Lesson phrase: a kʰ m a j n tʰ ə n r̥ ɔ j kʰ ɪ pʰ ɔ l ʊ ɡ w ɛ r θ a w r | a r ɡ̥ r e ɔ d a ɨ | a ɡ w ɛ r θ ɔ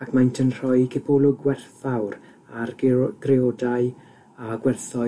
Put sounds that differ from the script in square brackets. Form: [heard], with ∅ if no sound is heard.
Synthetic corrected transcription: a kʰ m a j n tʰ ə n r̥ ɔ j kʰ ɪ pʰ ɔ l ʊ ɡ w ɛ r θ a w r | a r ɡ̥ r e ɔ d a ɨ | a ɡ w ɛ r θ ɔ